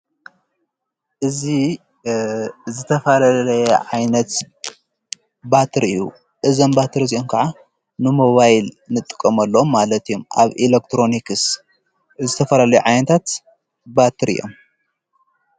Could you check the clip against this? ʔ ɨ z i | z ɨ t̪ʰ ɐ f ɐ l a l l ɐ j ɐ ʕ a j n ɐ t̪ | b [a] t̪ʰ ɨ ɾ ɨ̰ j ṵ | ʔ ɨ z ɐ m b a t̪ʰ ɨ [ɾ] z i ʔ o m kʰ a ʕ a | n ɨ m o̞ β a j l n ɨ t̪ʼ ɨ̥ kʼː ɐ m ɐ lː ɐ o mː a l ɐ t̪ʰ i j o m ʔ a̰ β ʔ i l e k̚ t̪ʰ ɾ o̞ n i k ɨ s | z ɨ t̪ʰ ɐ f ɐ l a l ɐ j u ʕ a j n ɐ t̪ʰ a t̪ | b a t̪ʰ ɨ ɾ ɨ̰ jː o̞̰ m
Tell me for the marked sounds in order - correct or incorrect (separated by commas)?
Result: correct, correct